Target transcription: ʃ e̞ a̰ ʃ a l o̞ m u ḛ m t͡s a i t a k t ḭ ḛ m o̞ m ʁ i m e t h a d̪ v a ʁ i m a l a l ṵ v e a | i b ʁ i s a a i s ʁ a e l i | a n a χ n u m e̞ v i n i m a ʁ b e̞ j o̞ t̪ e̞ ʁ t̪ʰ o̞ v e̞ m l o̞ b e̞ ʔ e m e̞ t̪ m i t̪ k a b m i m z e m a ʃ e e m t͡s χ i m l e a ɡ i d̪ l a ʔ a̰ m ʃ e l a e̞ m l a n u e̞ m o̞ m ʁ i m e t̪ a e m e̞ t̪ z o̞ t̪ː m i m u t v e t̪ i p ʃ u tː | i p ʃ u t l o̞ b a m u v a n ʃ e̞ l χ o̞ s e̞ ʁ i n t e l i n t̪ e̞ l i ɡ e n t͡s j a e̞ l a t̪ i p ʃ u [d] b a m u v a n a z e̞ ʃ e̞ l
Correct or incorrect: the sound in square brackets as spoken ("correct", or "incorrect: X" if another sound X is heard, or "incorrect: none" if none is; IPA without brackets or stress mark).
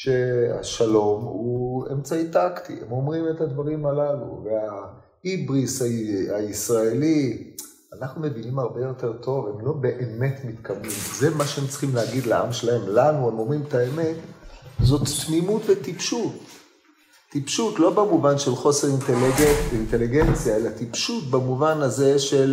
incorrect: t